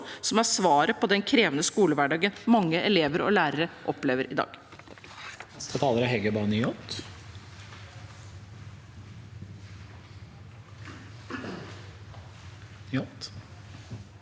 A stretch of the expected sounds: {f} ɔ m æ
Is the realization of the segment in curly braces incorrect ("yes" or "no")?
yes